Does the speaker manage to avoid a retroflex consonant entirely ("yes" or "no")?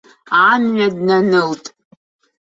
yes